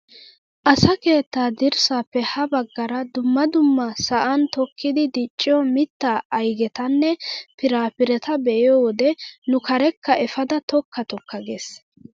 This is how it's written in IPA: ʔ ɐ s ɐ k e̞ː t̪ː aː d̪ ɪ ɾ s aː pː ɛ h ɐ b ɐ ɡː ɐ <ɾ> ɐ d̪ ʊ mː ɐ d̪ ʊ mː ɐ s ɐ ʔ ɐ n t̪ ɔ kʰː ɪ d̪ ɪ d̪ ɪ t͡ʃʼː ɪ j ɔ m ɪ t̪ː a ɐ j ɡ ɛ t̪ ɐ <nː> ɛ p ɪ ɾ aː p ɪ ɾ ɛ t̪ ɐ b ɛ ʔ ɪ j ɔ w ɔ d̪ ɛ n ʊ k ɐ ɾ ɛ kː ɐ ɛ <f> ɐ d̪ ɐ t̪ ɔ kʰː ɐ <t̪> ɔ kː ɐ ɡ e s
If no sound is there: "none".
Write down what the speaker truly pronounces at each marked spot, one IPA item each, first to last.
ɾ, nː, f, t̪

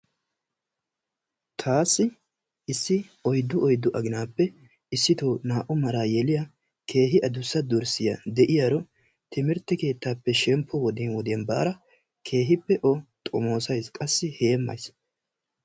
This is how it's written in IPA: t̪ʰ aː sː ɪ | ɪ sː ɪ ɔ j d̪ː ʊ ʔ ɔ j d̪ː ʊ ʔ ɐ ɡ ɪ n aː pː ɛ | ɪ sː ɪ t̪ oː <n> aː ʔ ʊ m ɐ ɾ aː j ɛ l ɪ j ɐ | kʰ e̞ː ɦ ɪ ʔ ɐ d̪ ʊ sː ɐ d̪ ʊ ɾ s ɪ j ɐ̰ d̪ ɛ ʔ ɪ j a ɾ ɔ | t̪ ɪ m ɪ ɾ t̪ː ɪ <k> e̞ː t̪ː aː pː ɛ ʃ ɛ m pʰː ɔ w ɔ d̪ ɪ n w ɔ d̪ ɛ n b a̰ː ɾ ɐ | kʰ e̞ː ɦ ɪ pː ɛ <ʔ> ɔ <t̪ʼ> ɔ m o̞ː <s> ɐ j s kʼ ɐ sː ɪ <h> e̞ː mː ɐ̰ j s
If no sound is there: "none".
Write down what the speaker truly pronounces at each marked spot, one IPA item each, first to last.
n, k, ʔ, t̪ʼ, s, h

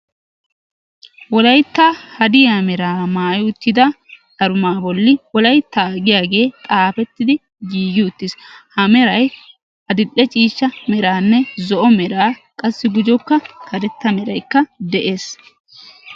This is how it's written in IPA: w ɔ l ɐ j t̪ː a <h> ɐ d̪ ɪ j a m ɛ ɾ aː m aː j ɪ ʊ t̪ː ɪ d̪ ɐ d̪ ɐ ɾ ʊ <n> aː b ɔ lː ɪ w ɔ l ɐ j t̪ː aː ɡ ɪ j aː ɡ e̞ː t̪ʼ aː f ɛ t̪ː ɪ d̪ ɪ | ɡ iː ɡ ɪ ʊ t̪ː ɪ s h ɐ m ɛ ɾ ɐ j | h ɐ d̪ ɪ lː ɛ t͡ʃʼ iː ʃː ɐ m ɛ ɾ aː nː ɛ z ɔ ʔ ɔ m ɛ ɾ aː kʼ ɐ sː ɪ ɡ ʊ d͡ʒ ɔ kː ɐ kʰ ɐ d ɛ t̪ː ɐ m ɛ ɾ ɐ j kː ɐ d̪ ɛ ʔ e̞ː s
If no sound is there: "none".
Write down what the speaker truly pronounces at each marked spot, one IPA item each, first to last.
h, m

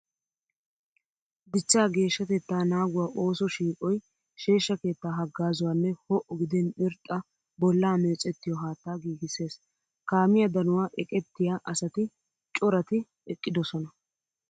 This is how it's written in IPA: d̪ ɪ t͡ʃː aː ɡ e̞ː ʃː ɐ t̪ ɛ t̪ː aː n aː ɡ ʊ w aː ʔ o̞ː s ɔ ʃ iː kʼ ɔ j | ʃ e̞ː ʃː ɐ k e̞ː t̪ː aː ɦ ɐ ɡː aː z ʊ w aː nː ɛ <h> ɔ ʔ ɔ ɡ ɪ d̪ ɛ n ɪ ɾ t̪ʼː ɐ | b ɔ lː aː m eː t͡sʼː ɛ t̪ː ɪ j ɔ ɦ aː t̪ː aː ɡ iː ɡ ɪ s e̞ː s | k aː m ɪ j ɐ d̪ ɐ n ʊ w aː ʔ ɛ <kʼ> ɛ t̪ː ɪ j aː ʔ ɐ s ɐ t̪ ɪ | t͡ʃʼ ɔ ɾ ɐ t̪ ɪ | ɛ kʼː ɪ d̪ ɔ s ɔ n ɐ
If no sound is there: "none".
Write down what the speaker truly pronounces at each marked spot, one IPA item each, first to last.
h, kʼ

